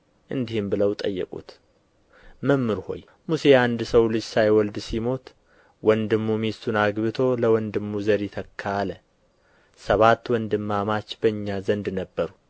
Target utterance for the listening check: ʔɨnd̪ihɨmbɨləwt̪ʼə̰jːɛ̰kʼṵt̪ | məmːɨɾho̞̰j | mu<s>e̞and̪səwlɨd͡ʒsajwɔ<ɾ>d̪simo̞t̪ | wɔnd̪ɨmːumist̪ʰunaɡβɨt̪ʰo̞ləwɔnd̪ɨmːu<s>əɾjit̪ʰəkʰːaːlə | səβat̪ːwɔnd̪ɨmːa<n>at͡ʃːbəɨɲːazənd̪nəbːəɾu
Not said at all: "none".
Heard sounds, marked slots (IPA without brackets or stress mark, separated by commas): s, l, z, m